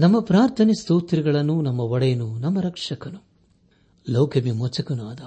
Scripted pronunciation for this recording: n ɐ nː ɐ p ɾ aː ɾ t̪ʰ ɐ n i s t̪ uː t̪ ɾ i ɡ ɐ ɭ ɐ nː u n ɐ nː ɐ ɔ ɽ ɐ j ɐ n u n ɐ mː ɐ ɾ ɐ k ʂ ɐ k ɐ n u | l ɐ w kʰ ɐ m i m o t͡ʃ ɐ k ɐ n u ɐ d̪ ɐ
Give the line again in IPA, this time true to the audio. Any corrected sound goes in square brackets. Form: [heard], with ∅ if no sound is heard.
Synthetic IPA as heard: n ɐ [mː] ɐ p ɾ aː ɾ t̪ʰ ɐ n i s t̪ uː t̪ ɾ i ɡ ɐ ɭ ɐ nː u n ɐ [mː] ɐ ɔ ɽ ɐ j ɐ n u n ɐ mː ɐ ɾ ɐ k ʂ ɐ k ɐ n u | l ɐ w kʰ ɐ m i m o t͡ʃ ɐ k ɐ n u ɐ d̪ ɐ